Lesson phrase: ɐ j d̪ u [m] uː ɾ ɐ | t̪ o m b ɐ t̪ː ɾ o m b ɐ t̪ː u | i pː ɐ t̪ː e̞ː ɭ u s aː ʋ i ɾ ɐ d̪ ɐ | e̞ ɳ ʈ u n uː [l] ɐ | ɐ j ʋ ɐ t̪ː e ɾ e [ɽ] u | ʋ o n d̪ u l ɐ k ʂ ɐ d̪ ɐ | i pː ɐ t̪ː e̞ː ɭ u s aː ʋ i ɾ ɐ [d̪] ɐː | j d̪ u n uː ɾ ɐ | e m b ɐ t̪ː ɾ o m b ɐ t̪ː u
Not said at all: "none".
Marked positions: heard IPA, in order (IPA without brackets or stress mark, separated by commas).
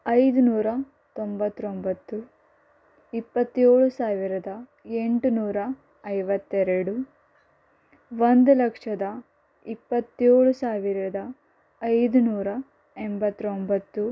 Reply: n, ɾ, ɽ, d̪